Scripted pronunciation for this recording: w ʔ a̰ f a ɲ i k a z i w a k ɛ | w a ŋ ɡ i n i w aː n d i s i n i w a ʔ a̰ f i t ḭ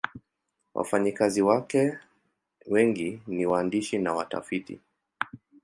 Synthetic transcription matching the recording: w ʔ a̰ f a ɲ i k a z i w a k ɛ | w ɛ ŋ ɡ i n i w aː n d i ʃ i n a w a t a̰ f i t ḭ